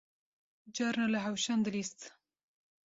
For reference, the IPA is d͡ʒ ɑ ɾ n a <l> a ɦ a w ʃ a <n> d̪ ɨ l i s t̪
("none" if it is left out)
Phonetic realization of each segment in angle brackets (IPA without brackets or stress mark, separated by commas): l, n